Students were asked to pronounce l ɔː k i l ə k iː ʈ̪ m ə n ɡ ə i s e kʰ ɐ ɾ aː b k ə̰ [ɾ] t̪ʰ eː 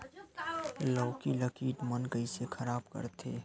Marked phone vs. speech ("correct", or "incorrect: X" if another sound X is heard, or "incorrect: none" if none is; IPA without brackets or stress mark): correct